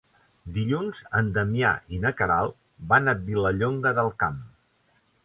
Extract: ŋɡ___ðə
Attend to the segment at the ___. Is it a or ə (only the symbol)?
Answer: ə